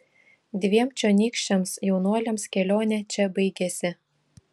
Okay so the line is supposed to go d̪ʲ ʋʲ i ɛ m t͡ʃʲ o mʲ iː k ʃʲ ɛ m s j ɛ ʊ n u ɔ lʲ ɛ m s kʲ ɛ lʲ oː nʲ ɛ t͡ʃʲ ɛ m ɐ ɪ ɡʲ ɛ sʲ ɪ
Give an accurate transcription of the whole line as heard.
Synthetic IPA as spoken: d̪ʲ ʋʲ i ɛ m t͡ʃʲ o nʲ iː k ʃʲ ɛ m s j ɛ ʊ n u ɔ lʲ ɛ m s kʲ ɛ lʲ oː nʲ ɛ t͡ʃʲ ɛ b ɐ ɪ ɡʲ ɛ sʲ ɪ